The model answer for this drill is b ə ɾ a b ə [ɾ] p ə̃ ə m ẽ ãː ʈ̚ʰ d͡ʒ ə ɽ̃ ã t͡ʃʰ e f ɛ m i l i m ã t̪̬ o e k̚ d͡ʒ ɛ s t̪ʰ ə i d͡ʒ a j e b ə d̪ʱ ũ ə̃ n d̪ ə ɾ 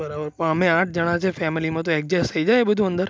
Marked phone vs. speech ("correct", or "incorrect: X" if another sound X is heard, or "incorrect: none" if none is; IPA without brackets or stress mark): correct